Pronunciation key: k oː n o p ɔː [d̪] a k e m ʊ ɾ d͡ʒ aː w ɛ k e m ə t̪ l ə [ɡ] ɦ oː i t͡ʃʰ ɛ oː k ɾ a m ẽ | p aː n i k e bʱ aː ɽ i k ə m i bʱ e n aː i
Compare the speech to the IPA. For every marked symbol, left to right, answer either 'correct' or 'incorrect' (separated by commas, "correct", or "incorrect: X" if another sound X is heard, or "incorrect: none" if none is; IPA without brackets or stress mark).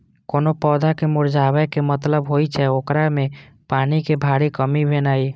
correct, incorrect: b